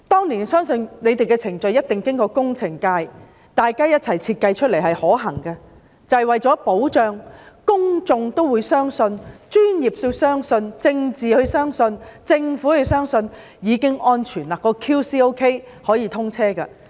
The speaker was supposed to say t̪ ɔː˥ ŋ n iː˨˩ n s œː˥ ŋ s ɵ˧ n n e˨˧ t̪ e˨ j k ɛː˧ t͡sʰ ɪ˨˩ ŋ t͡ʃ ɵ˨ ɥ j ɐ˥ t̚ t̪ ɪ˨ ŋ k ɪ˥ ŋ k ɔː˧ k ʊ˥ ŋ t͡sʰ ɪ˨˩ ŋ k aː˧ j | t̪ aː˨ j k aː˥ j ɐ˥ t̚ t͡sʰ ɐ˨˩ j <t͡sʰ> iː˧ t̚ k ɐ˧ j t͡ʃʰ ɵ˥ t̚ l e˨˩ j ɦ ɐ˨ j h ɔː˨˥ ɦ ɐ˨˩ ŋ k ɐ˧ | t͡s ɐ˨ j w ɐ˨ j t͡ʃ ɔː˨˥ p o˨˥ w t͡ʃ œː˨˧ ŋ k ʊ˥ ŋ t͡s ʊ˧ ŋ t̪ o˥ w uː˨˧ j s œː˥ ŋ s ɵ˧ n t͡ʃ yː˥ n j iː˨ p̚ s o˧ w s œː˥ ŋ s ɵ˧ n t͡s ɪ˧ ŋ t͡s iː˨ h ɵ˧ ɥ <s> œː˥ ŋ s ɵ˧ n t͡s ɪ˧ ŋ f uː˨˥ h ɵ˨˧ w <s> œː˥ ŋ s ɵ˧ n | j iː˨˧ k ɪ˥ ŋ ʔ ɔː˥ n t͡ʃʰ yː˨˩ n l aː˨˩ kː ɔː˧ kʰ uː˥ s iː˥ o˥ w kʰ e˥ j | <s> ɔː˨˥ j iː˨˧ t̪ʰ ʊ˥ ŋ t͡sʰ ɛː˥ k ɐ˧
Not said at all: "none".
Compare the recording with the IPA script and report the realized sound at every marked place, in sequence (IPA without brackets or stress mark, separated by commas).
t͡sʰ, s, s, h